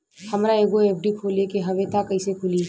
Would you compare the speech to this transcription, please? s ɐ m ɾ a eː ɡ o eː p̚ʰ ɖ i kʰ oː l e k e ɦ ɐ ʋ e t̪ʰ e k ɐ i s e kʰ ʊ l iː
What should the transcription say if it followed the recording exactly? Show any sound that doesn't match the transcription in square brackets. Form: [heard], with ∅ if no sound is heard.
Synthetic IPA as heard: [h] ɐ m ɾ a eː ɡ o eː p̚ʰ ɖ i kʰ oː l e k e ɦ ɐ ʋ e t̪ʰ [a] k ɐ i s e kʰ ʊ l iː